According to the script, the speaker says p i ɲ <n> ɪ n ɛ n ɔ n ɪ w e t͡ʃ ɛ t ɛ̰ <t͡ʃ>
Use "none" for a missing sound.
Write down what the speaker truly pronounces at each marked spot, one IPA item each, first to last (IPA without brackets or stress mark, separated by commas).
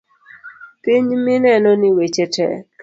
m, none